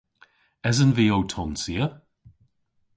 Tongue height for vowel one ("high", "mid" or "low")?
mid